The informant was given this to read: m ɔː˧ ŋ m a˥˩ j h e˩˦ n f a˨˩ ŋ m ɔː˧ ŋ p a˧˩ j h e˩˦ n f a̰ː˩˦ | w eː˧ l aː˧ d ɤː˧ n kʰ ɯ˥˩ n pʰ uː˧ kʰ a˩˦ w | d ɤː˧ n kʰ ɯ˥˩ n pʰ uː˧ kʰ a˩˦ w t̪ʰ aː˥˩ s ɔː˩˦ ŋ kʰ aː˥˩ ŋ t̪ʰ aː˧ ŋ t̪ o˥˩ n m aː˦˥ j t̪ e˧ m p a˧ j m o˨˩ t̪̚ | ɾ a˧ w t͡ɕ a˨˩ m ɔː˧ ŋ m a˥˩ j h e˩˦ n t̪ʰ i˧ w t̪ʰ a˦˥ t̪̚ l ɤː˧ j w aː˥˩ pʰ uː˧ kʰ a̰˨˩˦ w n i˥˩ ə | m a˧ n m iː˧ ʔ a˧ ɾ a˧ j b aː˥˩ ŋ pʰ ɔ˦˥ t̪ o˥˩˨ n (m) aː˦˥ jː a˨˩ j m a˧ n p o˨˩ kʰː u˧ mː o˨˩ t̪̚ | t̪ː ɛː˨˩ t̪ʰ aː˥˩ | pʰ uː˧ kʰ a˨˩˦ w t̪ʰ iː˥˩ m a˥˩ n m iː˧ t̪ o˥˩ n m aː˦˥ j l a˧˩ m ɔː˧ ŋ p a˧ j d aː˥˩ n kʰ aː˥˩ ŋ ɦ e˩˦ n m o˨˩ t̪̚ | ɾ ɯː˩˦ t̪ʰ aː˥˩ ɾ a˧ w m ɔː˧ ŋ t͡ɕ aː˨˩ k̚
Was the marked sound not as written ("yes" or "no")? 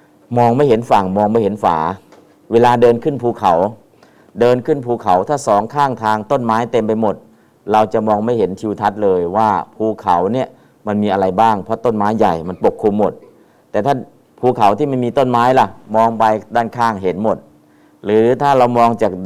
no